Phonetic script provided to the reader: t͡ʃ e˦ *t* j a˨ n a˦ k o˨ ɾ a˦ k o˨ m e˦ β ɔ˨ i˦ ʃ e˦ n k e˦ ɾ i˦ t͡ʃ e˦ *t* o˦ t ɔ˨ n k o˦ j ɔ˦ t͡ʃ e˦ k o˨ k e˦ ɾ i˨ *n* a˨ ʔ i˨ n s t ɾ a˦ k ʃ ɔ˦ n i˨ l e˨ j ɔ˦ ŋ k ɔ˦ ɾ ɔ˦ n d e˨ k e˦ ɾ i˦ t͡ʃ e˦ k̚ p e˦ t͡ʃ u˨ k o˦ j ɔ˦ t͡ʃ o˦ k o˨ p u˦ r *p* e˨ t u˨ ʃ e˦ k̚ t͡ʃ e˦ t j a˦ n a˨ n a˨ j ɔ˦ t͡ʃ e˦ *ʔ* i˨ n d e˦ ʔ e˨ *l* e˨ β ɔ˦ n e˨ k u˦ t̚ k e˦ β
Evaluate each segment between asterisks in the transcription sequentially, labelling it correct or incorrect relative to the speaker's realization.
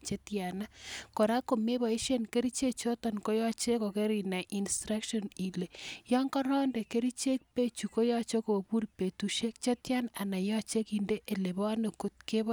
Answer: correct, incorrect: t͡ʃ, correct, correct, incorrect: k, correct

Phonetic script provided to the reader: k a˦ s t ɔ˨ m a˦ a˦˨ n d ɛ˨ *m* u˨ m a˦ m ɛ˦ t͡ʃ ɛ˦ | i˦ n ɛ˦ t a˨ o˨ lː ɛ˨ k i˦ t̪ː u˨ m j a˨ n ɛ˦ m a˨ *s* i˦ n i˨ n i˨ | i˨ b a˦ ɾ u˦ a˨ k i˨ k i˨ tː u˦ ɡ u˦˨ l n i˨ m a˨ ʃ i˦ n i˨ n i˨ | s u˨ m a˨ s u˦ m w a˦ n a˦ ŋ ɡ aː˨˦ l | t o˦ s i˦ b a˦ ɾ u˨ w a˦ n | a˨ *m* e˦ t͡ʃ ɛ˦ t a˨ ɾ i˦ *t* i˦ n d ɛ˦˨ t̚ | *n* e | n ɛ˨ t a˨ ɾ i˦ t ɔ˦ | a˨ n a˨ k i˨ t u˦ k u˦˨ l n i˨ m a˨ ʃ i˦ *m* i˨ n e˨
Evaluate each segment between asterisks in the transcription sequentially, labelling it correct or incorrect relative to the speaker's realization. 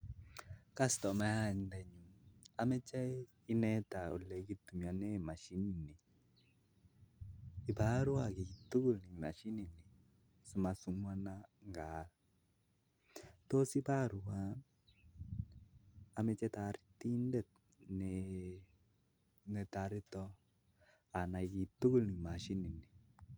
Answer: incorrect: ɲ, incorrect: ʃ, correct, correct, correct, incorrect: n

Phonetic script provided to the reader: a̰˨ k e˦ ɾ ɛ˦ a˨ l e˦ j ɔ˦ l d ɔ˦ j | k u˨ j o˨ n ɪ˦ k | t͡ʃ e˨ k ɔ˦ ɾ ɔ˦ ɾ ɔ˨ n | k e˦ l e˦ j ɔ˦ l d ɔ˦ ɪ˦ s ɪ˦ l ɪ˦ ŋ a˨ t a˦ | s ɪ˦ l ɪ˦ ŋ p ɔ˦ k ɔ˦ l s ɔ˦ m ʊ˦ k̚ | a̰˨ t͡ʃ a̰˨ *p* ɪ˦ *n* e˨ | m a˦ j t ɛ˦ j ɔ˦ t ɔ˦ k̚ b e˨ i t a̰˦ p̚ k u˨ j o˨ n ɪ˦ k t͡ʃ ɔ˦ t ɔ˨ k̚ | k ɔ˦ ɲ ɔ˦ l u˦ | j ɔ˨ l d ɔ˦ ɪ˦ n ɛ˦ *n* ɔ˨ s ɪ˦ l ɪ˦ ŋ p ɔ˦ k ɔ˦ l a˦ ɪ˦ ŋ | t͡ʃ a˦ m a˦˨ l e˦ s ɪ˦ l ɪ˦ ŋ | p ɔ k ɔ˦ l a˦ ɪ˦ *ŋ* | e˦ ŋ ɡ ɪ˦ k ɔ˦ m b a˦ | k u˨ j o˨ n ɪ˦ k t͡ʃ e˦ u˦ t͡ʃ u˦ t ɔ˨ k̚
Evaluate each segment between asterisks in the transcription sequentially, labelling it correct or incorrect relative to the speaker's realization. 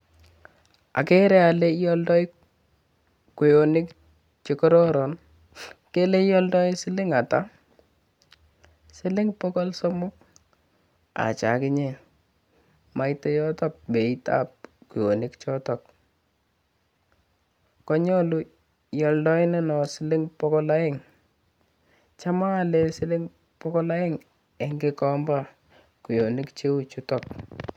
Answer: incorrect: k, incorrect: ɲ, correct, correct

